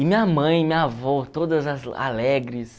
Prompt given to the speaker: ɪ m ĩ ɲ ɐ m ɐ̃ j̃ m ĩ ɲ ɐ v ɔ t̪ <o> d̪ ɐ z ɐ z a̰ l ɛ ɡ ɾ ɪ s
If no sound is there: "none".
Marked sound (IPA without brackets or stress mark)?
o